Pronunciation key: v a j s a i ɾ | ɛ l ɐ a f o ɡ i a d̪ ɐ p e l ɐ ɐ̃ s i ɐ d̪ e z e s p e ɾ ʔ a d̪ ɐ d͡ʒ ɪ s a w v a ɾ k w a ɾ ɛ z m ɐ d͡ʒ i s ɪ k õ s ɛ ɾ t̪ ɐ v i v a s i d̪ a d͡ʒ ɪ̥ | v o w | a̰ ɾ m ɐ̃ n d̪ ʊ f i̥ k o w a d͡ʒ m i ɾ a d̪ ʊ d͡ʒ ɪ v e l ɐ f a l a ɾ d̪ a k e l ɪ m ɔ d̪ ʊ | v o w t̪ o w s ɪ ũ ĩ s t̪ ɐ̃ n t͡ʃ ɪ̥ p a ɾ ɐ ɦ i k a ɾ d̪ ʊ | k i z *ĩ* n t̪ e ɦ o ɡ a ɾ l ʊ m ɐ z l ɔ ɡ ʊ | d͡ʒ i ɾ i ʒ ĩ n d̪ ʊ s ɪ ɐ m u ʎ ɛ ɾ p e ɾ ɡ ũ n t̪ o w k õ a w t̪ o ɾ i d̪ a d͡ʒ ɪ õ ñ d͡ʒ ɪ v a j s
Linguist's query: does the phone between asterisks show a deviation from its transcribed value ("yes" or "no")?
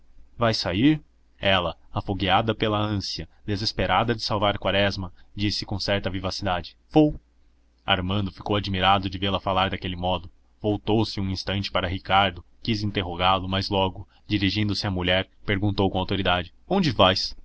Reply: no